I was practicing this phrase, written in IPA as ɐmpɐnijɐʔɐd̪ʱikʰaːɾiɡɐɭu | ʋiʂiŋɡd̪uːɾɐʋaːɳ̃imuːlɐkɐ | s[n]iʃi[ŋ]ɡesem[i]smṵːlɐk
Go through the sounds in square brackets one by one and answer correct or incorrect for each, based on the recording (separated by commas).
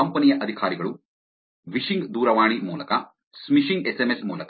incorrect, correct, incorrect